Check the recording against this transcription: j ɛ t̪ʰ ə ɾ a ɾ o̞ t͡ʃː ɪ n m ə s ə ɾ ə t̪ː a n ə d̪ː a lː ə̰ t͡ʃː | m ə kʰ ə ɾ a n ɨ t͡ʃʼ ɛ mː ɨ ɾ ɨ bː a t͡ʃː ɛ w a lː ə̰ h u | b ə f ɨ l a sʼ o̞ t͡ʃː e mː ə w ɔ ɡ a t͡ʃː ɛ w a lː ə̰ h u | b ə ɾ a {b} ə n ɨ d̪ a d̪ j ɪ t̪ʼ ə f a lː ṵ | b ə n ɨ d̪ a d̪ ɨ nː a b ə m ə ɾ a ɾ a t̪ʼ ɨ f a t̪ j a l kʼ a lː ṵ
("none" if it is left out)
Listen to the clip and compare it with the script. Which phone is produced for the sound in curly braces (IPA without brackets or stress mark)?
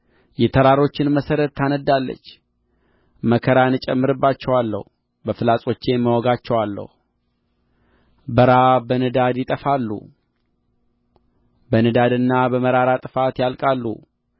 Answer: b